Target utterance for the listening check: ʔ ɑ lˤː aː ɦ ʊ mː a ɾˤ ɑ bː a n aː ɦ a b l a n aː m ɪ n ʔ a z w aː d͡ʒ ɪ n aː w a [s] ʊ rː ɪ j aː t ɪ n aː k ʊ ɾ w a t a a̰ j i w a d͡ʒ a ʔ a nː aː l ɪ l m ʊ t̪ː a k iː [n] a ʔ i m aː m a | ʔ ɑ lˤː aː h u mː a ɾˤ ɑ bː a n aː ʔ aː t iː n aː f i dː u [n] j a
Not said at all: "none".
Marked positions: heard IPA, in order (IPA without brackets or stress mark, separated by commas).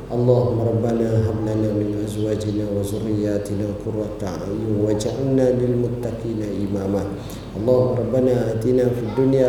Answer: z, n, n